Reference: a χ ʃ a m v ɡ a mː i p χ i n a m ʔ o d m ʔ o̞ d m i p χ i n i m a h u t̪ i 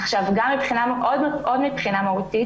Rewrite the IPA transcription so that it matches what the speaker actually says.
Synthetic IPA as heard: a χ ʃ a v ɡ a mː i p χ i n a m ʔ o d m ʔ o̞ d m i p χ i n a m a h u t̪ i